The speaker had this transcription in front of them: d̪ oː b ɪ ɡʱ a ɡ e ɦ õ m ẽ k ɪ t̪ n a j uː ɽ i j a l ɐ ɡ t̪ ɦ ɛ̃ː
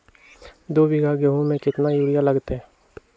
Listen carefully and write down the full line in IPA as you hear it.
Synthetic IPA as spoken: d̪ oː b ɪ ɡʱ a ɡ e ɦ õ m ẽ k ɪ t̪ n a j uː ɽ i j a l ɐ ɡ t̪ ɦ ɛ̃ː